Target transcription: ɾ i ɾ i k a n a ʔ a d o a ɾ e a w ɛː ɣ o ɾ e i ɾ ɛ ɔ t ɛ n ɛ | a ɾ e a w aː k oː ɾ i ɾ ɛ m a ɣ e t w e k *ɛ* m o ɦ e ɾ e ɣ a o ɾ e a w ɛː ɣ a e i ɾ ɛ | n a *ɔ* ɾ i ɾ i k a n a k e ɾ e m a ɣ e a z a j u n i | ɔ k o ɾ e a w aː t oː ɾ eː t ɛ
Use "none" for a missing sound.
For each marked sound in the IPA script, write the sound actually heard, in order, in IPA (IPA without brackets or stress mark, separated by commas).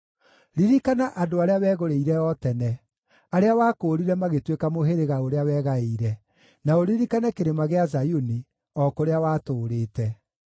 a, o